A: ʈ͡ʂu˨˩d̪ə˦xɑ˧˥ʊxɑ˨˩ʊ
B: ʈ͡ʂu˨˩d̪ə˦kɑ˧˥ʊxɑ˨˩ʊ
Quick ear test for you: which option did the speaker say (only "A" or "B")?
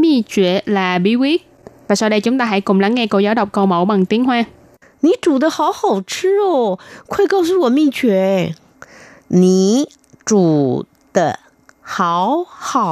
A